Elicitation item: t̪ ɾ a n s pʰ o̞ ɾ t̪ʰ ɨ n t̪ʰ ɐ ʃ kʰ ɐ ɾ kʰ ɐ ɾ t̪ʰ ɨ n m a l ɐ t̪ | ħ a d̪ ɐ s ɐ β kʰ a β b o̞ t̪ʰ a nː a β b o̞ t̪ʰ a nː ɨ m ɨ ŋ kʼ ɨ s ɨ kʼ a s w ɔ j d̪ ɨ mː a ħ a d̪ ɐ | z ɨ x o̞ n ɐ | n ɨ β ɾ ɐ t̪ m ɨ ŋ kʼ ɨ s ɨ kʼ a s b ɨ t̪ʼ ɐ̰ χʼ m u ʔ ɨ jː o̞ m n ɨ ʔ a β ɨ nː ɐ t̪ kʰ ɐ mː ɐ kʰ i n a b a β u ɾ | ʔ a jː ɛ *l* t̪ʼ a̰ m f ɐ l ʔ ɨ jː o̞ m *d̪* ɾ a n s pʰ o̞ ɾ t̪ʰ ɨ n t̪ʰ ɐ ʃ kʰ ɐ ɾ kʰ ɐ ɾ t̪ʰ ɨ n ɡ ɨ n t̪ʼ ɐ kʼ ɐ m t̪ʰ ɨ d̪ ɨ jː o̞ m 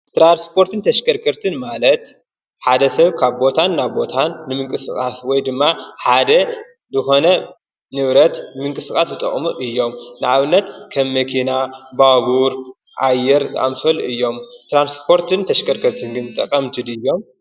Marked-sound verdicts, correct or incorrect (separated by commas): incorrect, incorrect